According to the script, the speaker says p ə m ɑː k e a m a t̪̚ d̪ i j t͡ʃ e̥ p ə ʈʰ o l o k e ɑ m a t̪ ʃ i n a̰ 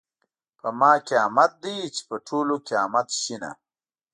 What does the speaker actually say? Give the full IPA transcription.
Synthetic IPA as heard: p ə m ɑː k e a m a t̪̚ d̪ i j t͡ʃ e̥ p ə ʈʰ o l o k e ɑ m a t̪ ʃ i n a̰